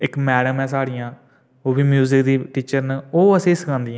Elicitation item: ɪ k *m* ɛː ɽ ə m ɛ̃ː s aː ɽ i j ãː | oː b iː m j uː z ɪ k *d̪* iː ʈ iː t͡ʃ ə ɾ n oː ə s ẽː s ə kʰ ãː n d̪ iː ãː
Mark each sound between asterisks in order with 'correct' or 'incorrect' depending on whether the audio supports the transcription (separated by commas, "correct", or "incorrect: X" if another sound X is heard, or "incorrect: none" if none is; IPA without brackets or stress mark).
correct, correct